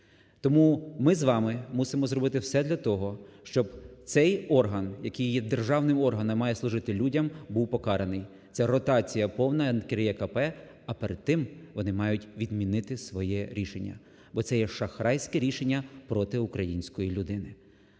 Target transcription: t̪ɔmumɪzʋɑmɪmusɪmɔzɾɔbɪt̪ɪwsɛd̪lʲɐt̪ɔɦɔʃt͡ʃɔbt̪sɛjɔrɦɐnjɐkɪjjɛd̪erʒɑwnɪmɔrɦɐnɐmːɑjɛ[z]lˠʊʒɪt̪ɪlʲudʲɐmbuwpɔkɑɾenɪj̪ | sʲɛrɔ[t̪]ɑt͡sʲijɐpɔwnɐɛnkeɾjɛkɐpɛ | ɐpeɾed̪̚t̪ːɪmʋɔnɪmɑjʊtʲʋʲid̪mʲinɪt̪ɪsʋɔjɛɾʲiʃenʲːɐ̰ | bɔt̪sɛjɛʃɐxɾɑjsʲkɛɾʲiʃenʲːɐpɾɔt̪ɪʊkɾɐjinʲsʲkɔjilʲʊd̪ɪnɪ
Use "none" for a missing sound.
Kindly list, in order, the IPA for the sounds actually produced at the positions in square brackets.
s, t̪

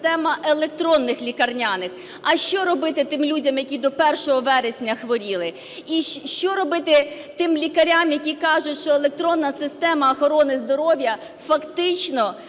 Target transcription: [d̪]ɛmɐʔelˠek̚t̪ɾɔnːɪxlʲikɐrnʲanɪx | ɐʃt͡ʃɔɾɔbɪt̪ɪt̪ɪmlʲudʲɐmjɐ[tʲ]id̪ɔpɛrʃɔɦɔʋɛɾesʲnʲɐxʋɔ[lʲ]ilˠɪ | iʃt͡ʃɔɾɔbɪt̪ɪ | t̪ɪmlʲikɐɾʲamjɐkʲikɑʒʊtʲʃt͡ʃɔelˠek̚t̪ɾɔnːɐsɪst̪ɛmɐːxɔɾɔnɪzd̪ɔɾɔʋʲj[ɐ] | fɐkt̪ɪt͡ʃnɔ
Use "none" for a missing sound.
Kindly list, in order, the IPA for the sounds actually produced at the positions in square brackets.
t̪, kʲ, ɾʲ, ɐ

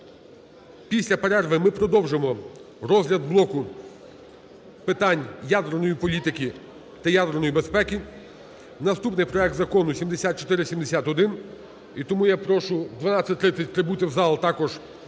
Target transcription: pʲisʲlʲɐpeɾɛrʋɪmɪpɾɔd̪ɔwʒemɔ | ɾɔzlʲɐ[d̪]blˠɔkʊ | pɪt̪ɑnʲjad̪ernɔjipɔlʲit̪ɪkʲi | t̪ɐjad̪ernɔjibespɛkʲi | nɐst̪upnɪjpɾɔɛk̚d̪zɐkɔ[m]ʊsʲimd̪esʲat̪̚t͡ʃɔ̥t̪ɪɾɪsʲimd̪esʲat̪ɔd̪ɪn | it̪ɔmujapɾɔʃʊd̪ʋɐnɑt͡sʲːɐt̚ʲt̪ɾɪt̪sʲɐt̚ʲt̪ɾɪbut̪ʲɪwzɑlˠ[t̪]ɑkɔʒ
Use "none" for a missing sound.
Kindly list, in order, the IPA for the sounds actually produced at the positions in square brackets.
d̪, n, t̪

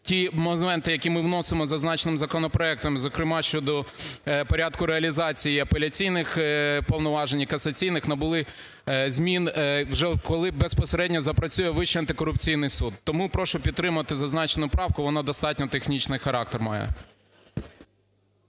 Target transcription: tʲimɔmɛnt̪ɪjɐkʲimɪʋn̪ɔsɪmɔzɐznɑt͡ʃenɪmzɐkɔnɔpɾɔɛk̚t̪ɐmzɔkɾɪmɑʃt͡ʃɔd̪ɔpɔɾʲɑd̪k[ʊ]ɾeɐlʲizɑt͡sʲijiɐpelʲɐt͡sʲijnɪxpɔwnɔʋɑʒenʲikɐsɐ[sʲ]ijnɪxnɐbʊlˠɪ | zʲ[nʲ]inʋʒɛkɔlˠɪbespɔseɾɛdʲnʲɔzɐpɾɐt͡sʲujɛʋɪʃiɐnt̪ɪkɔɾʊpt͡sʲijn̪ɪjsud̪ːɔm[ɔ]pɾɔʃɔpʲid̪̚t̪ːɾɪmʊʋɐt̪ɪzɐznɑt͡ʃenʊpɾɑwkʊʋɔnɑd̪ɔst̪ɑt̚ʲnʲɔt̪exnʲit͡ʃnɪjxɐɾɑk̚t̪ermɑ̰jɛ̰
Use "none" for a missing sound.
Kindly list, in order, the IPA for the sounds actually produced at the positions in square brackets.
ʊ, t͡sʲ, mʲ, u

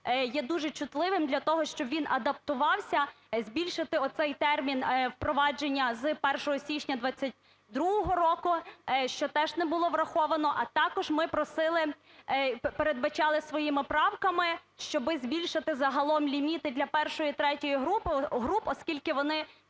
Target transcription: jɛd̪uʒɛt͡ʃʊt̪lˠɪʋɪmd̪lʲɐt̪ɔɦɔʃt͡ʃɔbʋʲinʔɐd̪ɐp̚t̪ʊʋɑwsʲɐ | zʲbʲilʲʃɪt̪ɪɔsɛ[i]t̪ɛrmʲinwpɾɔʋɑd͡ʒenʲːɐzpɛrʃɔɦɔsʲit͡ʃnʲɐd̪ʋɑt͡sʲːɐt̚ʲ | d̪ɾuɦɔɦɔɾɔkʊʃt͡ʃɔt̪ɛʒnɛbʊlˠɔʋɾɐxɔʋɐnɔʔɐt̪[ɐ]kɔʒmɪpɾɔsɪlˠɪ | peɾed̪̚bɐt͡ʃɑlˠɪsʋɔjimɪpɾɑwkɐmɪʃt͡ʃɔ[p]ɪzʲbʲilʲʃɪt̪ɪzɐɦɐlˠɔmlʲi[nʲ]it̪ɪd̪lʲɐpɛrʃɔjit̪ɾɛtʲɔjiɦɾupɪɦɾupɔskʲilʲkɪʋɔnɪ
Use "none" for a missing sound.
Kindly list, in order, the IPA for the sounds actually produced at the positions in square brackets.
j, ɑ, b, mʲ

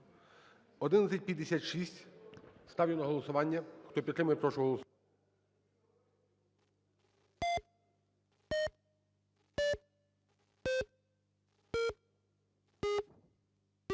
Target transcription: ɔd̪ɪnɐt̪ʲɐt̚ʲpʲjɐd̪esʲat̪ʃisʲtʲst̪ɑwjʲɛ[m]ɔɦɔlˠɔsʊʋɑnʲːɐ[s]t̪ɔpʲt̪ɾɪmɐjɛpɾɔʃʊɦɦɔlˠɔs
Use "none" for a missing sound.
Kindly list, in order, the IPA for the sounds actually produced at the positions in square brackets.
n, x

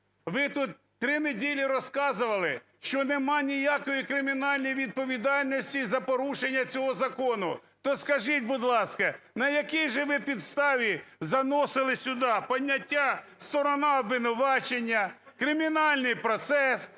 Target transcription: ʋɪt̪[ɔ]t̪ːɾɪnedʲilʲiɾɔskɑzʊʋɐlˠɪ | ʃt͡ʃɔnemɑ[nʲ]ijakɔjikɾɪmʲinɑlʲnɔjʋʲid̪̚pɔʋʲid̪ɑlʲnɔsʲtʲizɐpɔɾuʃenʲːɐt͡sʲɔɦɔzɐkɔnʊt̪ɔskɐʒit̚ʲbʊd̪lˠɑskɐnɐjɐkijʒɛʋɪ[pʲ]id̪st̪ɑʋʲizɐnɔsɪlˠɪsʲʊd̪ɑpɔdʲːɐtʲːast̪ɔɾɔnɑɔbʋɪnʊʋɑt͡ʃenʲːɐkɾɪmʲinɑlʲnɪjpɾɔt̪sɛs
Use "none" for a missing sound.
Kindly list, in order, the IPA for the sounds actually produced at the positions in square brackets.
u, nʲ, pʲ

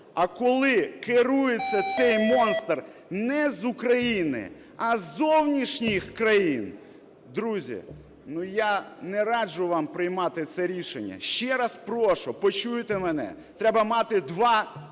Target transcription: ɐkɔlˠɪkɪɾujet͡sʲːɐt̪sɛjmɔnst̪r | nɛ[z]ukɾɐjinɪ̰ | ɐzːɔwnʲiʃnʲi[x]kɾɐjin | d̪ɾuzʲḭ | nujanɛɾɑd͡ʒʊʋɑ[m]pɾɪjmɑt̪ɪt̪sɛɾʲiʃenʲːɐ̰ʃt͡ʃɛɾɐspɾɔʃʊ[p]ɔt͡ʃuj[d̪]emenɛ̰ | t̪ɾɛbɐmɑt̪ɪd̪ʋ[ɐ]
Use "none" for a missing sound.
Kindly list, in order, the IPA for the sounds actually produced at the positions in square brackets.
z, x, m, p, t̪, ɑ

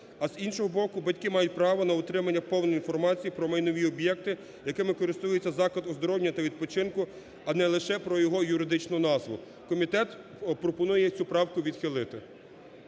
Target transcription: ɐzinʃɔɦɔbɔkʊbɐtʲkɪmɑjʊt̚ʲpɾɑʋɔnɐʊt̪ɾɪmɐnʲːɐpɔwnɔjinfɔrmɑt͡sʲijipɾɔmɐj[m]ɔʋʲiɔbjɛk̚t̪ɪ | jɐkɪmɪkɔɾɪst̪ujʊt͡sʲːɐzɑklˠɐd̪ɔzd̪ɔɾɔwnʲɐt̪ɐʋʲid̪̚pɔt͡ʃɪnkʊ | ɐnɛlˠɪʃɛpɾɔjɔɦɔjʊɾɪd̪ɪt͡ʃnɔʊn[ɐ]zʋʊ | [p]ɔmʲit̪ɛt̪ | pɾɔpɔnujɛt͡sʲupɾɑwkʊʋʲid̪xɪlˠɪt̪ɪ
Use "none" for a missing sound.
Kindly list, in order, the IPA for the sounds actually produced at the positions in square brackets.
n, ɑ, k

